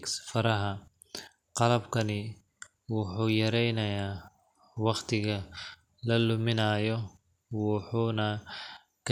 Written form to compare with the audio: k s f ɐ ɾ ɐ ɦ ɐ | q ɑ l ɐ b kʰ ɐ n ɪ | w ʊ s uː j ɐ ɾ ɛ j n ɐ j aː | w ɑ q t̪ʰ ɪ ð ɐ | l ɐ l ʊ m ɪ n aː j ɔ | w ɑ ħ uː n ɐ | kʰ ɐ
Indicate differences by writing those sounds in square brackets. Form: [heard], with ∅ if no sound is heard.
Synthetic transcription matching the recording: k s f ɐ ɾ ɐ ɦ ɐ | q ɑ l ɐ b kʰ ɐ n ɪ | w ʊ [ħ] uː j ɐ ɾ ɛ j n ɐ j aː | w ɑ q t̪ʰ ɪ [ɣ] ɐ | l ɐ l ʊ m ɪ n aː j ɔ | w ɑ ħ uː n ɐ | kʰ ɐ